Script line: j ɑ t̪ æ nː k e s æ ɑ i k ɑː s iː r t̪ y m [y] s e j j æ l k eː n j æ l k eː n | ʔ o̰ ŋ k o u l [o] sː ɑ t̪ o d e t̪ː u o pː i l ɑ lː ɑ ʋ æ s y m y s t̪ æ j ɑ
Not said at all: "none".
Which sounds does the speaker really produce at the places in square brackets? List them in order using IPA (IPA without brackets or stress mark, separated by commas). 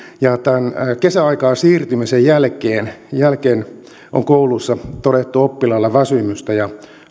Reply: i, u